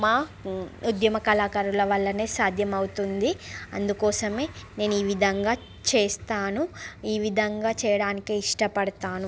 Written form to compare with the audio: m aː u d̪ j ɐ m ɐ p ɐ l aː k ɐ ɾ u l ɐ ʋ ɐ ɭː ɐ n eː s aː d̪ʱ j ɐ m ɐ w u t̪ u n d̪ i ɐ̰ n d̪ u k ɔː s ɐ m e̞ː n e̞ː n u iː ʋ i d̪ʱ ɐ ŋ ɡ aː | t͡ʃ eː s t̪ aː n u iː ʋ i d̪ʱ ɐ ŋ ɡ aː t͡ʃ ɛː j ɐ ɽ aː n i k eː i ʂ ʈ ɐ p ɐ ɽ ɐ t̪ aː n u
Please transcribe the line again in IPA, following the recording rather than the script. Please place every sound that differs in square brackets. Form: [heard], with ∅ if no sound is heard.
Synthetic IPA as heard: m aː u d̪ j ɐ m ɐ [k] ɐ l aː k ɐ ɾ u l ɐ ʋ ɐ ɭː ɐ n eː s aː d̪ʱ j ɐ m ɐ w u t̪ u n d̪ i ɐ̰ n d̪ u k ɔː s ɐ m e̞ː n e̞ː n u iː ʋ i d̪ʱ ɐ ŋ ɡ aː | t͡ʃ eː s t̪ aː n u iː ʋ i d̪ʱ ɐ ŋ ɡ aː t͡ʃ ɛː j ɐ ɽ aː n i k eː i ʂ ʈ ɐ p ɐ ɽ ɐ t̪ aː n u